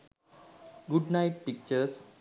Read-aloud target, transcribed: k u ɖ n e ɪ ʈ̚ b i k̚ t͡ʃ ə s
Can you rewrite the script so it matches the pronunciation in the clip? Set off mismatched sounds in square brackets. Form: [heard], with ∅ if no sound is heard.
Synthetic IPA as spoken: [ɡ] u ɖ n [a] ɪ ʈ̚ [p] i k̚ t͡ʃ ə s